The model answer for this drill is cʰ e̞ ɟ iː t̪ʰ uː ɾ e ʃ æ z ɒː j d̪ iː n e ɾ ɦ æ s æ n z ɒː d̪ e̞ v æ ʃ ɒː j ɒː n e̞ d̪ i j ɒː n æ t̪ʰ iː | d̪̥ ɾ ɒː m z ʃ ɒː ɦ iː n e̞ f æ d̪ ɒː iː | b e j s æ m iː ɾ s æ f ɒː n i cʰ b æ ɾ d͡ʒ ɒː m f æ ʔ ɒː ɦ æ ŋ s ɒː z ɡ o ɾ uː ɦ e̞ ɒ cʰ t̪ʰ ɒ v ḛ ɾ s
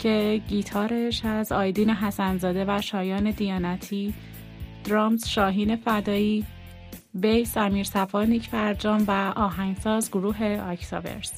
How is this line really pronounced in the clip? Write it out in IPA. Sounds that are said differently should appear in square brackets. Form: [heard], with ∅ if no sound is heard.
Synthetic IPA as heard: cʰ e̞ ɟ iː t̪ʰ [ɒː] ɾ e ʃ æ z ɒː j d̪ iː n e [∅] ɦ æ s æ n z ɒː d̪ e̞ v æ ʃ ɒː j ɒː n e̞ d̪ i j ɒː n æ t̪ʰ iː | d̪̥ ɾ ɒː m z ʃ ɒː ɦ iː n e̞ f æ d̪ ɒː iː | b e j s æ m iː ɾ s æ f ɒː n i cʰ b æ ɾ d͡ʒ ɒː m [v] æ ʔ ɒː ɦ æ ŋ s ɒː z ɡ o ɾ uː ɦ e̞ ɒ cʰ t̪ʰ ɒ v ḛ ɾ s